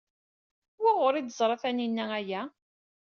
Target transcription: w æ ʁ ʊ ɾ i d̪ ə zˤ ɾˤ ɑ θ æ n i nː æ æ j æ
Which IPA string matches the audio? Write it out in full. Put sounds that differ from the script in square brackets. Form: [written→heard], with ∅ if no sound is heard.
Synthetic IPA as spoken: w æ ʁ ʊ ɾ i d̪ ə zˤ ɾˤ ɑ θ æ n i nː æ æ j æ